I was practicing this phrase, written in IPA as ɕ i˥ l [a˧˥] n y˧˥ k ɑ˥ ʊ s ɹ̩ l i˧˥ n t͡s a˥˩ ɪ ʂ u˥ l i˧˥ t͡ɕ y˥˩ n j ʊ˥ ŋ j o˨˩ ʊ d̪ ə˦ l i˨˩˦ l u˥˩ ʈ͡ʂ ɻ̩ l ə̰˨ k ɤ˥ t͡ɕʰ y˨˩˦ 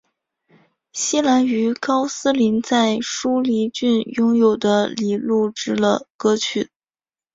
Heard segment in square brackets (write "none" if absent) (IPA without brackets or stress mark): a˧˥